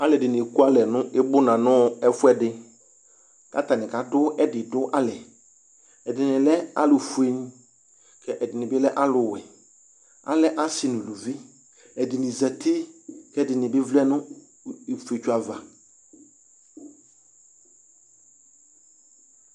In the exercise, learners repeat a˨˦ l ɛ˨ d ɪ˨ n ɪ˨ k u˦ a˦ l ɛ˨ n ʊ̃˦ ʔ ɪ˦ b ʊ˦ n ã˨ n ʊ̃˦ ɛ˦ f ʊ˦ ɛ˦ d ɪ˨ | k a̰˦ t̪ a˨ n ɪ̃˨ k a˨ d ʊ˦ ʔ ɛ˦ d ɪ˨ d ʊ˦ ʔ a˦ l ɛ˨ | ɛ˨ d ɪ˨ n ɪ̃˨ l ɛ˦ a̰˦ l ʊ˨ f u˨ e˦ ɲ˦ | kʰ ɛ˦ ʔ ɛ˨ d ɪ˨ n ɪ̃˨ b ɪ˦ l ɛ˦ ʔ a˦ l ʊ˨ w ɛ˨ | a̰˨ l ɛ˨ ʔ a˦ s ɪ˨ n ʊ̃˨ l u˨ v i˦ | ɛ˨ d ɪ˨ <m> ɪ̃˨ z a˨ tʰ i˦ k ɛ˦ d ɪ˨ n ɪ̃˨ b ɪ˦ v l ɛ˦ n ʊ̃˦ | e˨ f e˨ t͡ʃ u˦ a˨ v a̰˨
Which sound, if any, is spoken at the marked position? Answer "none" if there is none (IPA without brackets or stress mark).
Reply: n